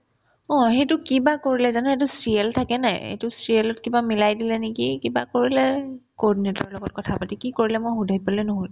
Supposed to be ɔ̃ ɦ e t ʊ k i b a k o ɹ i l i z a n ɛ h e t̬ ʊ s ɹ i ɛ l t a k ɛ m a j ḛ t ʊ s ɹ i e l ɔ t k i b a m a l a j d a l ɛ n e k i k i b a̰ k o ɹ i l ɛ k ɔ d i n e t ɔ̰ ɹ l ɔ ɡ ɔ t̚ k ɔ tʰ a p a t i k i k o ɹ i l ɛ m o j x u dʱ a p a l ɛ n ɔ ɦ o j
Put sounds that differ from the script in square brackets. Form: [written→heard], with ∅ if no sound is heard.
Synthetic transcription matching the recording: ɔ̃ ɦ e t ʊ k i b a k o ɹ i l [i→ɛ] z a n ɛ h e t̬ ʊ s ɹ i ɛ l [t→tʰ] a k ɛ [m→n] a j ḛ t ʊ s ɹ i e l ɔ t k i b a m [a→i] l a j d [a→i] l ɛ n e k i k i b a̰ k o ɹ i l ɛ k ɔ d i n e t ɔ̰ ɹ l ɔ ɡ ɔ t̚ k ɔ tʰ a p a t i k i k o ɹ i l ɛ m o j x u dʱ a p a l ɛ n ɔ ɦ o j